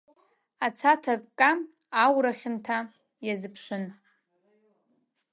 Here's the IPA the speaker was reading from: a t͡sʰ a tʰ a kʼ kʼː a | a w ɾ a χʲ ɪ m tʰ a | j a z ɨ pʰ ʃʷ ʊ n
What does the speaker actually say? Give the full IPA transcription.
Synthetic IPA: a t͡sʰ a tʰ a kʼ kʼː a | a w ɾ a χʲ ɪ n tʰ a | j a z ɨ pʰ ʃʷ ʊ n

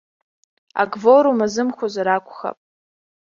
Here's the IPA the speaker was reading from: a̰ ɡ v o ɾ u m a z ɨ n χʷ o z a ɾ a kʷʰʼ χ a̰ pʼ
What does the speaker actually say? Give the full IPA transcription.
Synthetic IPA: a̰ ɡ v o ɾ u m a z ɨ m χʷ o z a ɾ a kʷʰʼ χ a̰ pʼ

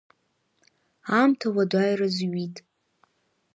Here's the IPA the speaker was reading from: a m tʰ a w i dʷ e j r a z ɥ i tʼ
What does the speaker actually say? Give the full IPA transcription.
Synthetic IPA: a m tʰ a w a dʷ a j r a z ɥ i tʼ

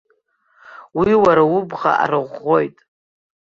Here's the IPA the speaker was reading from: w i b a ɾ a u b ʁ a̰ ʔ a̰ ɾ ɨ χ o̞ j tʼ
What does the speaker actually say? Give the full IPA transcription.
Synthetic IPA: w i w a ɾ a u b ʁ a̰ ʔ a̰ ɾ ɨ ʁ o̞ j tʼ

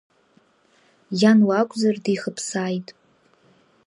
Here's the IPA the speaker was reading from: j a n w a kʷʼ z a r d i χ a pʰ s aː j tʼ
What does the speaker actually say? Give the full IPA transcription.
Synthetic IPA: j a n w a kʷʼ z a r d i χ ə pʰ s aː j tʼ

